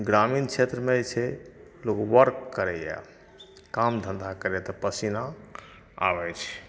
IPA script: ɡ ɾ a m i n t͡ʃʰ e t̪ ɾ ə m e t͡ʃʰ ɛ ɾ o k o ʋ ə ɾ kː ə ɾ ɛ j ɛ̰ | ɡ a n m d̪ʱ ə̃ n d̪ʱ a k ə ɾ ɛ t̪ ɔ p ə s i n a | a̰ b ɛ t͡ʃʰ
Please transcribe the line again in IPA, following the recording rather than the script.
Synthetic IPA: ɡ ɾ a m i n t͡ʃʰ e t̪ ɾ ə m e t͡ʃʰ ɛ l o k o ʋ ə ɾ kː ə ɾ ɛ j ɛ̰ | k a m d̪ʱ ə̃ n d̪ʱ a k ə ɾ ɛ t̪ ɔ p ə s i n a | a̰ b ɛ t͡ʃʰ